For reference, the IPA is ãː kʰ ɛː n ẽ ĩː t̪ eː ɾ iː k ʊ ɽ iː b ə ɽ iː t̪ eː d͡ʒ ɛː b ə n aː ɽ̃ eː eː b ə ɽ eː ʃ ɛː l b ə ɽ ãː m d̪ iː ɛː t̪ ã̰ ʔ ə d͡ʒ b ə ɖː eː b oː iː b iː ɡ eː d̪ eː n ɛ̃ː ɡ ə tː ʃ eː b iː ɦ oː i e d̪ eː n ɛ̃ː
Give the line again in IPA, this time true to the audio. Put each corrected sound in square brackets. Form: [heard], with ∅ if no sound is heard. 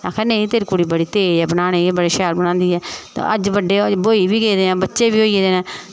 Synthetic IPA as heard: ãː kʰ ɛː n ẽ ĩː t̪ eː ɾ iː k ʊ ɽ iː b ə ɽ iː t̪ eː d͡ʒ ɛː b ə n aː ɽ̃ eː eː b ə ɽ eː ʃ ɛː l b ə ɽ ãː [n] d̪ iː ɛː t̪ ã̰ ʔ ə d͡ʒ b ə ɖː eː b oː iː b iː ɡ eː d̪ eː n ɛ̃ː [b] ə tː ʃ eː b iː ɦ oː i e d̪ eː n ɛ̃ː